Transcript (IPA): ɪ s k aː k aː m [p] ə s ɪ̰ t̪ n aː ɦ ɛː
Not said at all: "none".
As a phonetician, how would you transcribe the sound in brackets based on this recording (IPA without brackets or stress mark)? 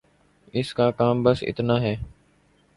b